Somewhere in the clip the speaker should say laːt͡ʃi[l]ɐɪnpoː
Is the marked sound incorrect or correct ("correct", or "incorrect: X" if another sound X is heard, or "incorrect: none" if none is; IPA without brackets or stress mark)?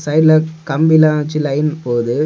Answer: correct